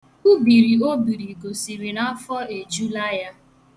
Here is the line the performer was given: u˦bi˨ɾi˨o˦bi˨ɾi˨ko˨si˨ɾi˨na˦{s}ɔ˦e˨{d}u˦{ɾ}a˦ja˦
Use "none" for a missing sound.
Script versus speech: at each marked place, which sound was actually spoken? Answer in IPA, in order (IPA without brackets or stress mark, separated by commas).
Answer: f, d͡ʒ, l